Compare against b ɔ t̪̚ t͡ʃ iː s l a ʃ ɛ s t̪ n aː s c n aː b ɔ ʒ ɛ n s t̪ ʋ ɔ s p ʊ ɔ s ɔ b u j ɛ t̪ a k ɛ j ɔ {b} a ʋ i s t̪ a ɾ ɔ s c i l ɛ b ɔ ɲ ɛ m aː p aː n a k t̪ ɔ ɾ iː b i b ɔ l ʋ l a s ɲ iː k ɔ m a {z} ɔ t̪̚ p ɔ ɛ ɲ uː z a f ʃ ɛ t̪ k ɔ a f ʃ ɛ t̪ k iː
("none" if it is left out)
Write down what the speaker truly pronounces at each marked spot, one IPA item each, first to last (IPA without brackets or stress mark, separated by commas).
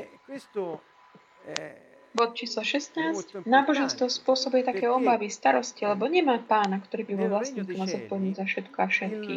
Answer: b, z